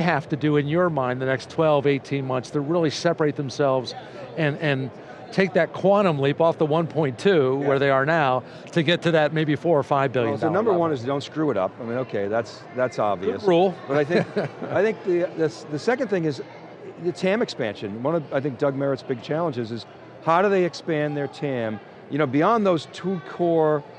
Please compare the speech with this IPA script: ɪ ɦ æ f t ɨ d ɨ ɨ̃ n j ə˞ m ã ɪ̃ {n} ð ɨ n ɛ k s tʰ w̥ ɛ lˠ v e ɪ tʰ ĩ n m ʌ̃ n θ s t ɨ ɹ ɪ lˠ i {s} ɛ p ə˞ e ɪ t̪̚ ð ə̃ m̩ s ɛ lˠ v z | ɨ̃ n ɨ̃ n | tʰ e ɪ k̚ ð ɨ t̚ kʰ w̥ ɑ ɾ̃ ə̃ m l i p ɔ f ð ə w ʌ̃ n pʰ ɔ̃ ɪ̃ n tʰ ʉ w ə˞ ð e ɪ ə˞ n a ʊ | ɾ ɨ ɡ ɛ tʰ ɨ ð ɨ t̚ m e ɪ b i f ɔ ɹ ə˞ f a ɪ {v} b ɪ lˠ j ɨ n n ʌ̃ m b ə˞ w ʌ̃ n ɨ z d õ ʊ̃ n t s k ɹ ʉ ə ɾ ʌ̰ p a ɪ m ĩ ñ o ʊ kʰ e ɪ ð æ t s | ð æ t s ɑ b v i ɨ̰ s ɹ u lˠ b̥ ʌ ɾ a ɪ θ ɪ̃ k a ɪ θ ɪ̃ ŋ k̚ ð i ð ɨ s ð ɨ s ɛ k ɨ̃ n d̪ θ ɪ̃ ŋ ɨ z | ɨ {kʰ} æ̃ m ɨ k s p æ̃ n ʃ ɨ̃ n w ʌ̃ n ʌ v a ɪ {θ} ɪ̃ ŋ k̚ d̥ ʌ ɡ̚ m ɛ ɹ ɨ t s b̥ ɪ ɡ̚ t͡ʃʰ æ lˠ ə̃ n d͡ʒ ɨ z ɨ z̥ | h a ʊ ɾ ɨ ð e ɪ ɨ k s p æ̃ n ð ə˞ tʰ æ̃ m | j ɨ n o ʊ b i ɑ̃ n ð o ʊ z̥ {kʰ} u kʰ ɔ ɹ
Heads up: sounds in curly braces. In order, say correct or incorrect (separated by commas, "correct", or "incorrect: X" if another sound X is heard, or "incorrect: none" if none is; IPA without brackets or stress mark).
correct, correct, correct, incorrect: tʰ, correct, incorrect: tʰ